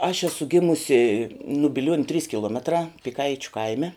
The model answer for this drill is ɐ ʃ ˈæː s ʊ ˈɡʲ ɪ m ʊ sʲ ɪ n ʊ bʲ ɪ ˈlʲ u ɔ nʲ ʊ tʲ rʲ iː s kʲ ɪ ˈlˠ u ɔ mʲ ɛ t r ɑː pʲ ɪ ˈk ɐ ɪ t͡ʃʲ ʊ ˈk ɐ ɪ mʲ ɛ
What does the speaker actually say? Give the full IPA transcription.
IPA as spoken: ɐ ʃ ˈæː s ʊ ˈɡʲ ɪ m ʊ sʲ ɪ n ʊ bʲ ɪ ˈlʲ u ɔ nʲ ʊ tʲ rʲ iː s kʲ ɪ ˈlˠ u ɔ mʲ ɛ t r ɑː pʲ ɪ ˈk ɐ ɪ t͡ʃʲ ʊ ˈk ɐ ɪ mʲ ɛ